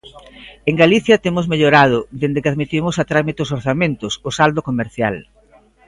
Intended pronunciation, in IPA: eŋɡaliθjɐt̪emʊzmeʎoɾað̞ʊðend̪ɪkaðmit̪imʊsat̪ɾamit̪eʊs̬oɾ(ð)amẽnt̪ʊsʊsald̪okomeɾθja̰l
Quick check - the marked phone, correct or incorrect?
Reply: incorrect